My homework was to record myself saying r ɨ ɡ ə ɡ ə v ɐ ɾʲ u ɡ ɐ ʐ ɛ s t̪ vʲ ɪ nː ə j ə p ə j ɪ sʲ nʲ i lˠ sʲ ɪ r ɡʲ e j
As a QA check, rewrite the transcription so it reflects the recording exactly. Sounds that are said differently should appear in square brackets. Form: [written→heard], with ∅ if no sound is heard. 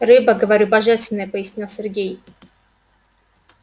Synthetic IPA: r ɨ [ɡ→b] ə ɡ ə v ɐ ɾʲ u [ɡ→b] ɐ ʐ ɛ s t̪ vʲ ɪ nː ə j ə p ə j ɪ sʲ nʲ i lˠ sʲ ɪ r ɡʲ e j